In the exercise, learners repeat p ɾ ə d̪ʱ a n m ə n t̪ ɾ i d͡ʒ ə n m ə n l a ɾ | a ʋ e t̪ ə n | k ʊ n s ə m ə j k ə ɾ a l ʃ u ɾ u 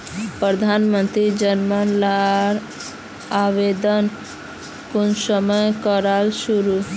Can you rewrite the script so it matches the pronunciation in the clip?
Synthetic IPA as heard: p ɾ ə d̪ʱ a n m ə n t̪ ɾ i d͡ʒ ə n m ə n l a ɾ | a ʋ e d̪ ə n | k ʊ n s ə m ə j k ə ɾ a l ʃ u ɾ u